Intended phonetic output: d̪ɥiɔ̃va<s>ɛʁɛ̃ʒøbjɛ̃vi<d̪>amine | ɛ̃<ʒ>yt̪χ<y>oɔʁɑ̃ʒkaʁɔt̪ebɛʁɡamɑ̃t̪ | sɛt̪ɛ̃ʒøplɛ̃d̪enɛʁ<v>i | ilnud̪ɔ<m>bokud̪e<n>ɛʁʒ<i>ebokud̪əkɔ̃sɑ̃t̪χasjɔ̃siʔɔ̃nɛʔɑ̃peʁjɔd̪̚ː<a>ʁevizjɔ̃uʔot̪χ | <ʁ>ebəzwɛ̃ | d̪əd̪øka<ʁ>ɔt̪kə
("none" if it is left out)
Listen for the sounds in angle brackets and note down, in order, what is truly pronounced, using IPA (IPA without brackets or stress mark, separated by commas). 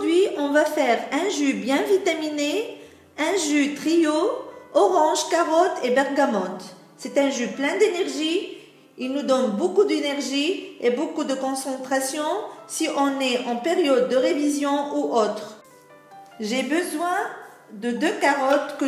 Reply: f, t̪, ʒ, i, ʒ, n, n, i, ə, ʒ, ʁ